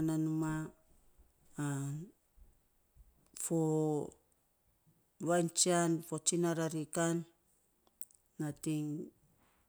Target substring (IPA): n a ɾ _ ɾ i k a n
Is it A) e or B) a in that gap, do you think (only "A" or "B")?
B